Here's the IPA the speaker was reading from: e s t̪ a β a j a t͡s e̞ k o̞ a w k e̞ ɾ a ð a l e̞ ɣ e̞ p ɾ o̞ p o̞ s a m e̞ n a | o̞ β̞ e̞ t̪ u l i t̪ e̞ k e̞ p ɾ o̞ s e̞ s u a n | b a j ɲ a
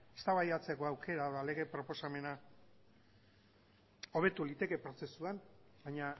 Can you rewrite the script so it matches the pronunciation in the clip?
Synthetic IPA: e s t̪ a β a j a t͡s e̞ k o̞ a w k e̞ ɾ a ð a l e̞ ɣ e̞ p ɾ o̞ p o̞ s a m e̞ n a | o̞ β̞ e̞ t̪ u l i t̪ e̞ k e̞ p ɾ o̞ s e̞ s u a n | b a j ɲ a